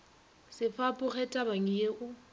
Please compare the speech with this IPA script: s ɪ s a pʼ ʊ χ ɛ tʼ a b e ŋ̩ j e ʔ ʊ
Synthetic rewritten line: s ɪ f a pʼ ʊ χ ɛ tʼ a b a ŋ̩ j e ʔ ʊ